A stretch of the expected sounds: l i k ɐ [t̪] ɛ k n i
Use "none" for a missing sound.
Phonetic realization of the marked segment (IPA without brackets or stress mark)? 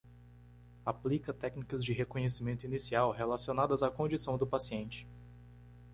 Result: t̪